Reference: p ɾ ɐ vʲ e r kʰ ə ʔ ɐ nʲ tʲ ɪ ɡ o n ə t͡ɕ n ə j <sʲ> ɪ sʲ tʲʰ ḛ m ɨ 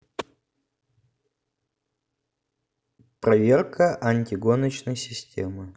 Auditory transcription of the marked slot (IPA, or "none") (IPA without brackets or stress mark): sʲ